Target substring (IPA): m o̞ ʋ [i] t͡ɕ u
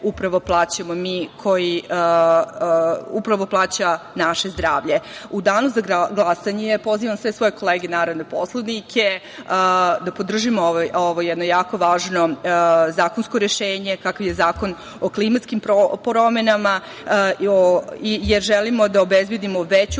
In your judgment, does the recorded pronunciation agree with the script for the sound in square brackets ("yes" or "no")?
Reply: no